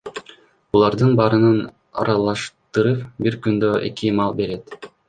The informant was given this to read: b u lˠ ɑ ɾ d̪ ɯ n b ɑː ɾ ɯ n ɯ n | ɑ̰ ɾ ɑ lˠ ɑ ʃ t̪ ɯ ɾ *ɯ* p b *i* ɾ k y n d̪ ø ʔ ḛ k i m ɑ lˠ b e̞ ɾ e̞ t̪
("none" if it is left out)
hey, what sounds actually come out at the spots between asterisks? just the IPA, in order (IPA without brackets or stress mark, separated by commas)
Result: ɯ, i